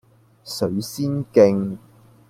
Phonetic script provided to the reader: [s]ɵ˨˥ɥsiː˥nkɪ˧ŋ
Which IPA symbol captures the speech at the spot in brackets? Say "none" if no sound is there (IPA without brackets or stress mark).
s